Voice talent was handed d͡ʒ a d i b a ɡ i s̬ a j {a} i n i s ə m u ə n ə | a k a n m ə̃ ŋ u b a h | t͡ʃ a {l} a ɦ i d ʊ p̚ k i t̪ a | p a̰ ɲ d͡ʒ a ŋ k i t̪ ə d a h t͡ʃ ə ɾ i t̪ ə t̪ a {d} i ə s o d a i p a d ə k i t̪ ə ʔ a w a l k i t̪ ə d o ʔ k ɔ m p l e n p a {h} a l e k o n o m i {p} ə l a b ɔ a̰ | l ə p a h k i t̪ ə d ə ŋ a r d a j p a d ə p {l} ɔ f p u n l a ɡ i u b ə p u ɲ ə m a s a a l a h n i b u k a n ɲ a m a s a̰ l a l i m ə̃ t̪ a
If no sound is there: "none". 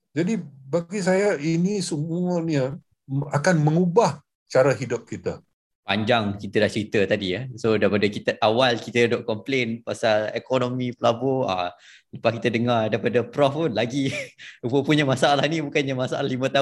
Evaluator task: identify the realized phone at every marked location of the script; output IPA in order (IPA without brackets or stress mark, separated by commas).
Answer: a, ɾ, d, s, p, ɾ